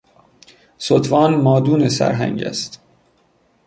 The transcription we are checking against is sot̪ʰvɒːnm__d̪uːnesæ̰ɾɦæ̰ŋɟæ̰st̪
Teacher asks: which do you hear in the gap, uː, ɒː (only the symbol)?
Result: ɒː